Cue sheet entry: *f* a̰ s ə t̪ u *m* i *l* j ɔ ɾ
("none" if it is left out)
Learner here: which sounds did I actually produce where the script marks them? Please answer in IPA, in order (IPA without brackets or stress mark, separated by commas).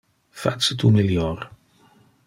f, m, l